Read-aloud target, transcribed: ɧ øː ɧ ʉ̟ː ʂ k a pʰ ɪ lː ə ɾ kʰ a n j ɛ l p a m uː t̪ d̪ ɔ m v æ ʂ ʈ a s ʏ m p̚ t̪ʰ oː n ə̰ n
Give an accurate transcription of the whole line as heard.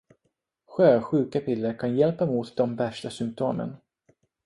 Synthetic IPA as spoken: ɧ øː ɧ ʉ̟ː k a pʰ ɪ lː ə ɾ kʰ a n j ɛ l p a m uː t̪ d̪ ɔ m v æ ʂ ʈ a s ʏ m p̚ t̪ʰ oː m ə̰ n